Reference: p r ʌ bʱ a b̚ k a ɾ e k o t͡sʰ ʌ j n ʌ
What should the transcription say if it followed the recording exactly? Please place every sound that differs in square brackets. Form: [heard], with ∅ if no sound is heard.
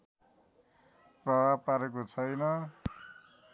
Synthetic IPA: p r ʌ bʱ a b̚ [p] a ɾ e k o t͡sʰ ʌ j n ʌ